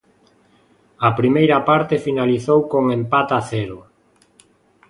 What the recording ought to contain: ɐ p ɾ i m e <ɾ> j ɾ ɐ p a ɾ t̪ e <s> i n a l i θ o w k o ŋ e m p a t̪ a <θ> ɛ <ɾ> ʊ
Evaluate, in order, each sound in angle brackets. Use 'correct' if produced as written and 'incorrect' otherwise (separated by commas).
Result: incorrect, incorrect, correct, correct